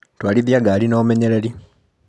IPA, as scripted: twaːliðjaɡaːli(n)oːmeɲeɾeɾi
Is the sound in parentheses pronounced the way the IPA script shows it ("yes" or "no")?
yes